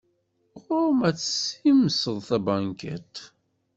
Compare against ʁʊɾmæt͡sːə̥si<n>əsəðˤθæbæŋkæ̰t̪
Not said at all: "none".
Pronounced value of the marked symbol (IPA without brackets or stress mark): m